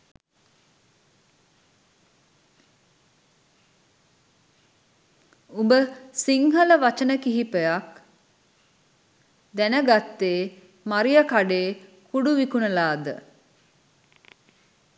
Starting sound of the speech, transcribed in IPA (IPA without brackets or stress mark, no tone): u